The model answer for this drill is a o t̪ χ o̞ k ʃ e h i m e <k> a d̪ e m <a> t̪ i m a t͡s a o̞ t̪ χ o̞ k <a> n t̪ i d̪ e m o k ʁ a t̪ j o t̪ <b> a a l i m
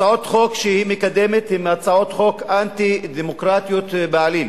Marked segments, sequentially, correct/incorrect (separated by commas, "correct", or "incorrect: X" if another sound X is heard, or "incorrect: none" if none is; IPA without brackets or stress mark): correct, incorrect: e, correct, correct